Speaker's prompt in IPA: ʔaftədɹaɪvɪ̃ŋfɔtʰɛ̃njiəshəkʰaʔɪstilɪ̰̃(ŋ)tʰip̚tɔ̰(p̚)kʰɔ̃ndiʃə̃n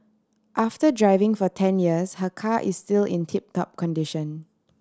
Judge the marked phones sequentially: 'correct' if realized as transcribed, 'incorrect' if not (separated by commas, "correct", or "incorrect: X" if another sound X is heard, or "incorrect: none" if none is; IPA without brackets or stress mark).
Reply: incorrect: n, correct